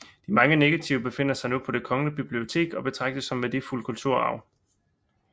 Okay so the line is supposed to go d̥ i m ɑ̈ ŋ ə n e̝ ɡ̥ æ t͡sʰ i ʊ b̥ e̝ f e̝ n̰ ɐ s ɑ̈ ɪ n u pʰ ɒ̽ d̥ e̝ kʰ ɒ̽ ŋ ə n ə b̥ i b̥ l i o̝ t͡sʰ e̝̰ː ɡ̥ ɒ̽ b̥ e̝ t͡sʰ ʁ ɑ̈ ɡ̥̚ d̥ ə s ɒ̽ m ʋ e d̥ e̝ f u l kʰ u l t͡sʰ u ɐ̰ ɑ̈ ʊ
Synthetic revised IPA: d̥ i m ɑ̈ ŋ ə n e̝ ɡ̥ æ t͡sʰ i ʊ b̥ e̝ f e̝ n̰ ɐ s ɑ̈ ɪ n u pʰ ɒ̽ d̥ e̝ kʰ ɒ̽ ŋ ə n ə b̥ i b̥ l i o̝ t͡sʰ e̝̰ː ɡ̥ ɒ̽ b̥ e̝ t͡sʰ ʁ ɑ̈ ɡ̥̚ d̥ ə s ɒ̽ m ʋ e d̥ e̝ f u l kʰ u l t͡sʰ u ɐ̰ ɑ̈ ʊ